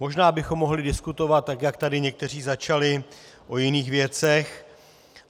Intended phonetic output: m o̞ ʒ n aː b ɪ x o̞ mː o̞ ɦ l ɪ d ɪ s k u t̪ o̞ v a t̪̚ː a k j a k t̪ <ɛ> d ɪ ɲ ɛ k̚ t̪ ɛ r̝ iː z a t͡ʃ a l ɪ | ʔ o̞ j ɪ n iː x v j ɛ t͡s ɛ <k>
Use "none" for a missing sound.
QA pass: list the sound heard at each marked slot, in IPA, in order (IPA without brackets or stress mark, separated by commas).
a, x